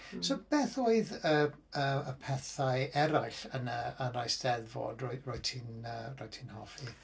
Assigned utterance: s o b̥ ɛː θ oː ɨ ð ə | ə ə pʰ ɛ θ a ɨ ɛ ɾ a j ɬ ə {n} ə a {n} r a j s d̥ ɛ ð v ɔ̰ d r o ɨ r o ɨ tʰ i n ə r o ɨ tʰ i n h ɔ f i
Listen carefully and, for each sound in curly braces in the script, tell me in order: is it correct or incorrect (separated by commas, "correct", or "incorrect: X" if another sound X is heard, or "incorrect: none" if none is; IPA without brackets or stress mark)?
correct, correct